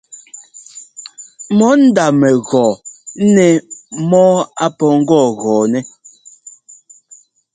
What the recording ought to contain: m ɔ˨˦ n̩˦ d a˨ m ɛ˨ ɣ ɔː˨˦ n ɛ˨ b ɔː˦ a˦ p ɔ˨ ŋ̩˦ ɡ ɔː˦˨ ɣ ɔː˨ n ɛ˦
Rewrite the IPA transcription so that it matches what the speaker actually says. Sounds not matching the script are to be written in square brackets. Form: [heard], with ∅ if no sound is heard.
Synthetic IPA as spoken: m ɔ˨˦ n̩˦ d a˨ m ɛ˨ ɣ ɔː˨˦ n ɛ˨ [m] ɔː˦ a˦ p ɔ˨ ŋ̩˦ ɡ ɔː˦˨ ɣ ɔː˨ n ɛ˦